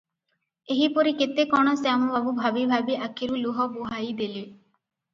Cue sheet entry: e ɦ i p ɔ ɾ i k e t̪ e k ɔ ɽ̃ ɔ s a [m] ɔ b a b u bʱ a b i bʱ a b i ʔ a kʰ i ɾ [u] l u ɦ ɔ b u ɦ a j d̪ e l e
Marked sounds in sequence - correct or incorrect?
correct, correct

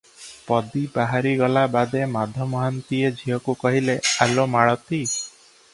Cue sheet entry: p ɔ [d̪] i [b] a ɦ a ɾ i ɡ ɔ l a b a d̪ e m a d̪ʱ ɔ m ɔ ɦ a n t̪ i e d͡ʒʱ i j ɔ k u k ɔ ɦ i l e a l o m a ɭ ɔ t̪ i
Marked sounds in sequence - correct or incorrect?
correct, correct

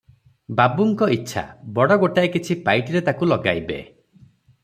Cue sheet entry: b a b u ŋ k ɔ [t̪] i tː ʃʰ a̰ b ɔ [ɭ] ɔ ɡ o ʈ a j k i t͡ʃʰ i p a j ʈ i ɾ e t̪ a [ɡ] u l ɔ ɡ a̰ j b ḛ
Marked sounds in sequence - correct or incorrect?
incorrect, incorrect, incorrect

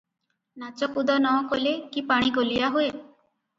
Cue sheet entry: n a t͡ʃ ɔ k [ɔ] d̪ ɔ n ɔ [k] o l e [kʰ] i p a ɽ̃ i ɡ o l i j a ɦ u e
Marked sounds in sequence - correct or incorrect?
incorrect, correct, incorrect

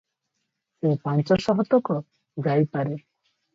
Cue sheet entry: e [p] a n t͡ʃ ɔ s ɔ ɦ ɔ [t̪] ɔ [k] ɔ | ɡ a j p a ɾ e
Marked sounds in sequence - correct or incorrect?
correct, correct, correct

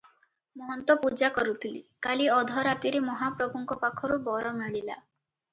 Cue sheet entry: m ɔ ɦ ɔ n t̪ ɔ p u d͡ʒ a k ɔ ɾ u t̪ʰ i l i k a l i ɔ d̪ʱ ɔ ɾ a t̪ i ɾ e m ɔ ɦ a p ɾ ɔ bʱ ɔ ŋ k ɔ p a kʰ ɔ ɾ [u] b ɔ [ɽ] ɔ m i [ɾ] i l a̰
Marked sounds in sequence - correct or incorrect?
correct, incorrect, incorrect

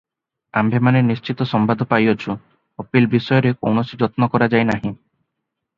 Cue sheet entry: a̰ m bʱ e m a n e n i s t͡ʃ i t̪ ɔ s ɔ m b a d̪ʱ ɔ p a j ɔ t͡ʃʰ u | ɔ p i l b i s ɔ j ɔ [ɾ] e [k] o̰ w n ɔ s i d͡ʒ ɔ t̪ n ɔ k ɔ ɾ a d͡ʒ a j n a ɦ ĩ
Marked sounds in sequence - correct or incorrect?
correct, correct

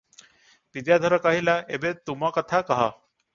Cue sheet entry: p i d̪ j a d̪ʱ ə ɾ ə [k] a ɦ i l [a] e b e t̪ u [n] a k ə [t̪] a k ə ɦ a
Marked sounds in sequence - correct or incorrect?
correct, correct, incorrect, incorrect

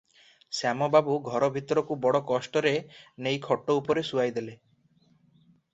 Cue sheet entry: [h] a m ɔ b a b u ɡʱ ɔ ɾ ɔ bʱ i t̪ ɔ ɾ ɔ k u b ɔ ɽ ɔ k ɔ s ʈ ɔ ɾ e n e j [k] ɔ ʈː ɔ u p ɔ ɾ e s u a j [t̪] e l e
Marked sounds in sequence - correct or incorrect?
incorrect, incorrect, incorrect

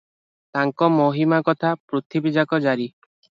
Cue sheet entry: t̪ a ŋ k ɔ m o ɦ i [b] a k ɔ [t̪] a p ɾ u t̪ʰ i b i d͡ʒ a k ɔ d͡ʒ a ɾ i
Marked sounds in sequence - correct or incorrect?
incorrect, incorrect

